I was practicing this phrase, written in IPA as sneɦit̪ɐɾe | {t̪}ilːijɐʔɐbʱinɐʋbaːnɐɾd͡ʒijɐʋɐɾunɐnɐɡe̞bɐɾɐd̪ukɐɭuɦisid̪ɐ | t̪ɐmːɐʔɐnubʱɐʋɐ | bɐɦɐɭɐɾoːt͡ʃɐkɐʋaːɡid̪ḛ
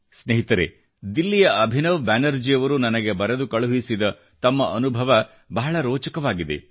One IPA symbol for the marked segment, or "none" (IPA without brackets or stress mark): d̪